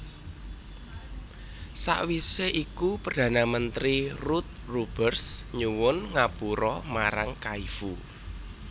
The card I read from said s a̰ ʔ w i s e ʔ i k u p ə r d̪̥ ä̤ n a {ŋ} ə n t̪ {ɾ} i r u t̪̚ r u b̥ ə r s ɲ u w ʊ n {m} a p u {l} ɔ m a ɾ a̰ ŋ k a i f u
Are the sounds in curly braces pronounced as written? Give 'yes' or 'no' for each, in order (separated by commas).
no, yes, no, no